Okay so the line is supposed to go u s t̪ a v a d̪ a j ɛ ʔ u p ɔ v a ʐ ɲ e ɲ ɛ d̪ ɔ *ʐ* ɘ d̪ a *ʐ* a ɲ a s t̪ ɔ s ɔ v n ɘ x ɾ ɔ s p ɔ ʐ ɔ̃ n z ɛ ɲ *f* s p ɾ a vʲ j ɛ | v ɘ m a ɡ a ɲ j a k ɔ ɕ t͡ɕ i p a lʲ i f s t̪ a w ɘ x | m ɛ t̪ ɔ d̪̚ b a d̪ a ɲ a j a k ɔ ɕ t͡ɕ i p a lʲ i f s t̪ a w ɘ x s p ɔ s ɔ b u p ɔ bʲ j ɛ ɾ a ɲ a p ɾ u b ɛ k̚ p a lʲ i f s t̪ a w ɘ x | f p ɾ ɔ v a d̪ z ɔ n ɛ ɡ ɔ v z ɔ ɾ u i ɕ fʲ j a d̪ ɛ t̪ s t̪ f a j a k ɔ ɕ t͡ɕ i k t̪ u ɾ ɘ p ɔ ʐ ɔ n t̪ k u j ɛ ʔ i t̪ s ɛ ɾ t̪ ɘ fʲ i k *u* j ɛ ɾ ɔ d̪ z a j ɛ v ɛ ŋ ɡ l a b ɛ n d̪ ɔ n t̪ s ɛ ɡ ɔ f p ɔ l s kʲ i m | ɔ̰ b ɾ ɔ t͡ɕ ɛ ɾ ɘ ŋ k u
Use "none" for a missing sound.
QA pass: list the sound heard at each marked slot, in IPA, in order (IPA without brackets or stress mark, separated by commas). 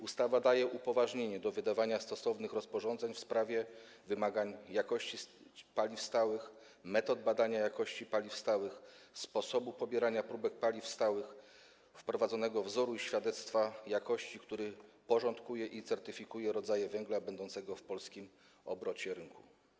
v, v, f, u